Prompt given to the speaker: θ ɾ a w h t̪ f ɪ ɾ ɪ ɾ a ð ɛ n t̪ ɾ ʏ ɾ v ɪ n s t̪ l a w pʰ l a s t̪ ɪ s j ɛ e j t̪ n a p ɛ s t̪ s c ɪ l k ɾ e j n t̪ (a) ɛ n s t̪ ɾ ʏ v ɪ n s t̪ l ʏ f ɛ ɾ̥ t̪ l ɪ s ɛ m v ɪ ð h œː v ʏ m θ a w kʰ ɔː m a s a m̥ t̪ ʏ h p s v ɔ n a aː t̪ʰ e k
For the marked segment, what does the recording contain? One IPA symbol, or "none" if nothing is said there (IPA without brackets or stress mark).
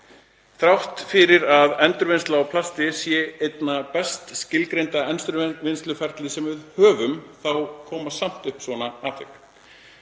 a